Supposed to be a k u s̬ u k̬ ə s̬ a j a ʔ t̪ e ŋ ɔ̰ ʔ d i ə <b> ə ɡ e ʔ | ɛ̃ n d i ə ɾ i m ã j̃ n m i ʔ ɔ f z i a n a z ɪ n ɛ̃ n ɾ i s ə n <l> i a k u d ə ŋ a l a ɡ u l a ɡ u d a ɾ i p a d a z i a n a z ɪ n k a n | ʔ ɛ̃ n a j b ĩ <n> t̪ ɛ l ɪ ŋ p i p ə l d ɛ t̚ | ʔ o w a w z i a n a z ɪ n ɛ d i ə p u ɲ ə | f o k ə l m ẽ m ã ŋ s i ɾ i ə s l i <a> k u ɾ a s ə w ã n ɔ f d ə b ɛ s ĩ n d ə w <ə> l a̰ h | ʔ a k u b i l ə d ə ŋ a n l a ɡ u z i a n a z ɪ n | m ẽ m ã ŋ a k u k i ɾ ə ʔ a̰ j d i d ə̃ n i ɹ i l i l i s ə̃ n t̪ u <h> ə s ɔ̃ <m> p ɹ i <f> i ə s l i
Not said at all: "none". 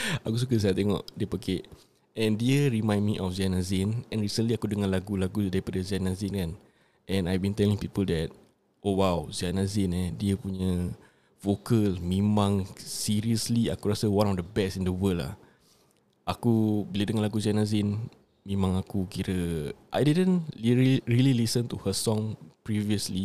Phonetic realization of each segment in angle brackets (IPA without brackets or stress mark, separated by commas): p, l, n, a, ə, h, ŋ, v